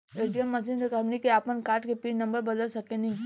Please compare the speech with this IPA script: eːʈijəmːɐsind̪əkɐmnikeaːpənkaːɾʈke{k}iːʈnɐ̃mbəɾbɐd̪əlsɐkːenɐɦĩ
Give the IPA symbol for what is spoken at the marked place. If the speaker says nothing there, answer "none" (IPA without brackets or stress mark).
p